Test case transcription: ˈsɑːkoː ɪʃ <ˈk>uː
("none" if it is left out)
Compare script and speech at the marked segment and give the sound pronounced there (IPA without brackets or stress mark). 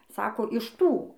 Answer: t